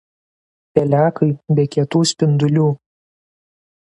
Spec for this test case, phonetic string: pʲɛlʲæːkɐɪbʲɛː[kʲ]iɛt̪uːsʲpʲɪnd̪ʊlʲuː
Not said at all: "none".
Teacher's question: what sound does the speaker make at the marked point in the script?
kʲ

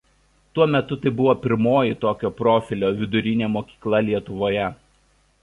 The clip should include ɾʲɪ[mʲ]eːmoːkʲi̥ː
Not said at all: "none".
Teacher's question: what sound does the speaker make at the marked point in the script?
nʲ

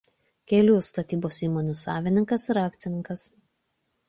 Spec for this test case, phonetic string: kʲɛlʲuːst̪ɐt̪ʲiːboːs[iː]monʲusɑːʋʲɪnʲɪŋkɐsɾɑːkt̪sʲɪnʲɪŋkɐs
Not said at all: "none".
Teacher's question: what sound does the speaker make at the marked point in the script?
iː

